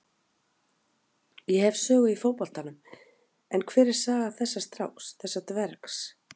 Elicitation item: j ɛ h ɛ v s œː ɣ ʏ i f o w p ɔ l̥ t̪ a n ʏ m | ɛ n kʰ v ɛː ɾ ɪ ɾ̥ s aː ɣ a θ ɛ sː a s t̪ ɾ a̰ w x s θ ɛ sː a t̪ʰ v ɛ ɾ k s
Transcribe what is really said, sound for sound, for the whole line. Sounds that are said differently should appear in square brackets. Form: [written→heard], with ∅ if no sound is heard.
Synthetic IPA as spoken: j ɛ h ɛ v s œː ɣ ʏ i f o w p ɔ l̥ t̪ a n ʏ m | ɛ n kʰ v ɛː ɾ ɪ ɾ̥ s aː ɣ a θ ɛ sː a s t̪ ɾ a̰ w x s θ ɛ sː a [t̪ʰ→t̪] v ɛ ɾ k s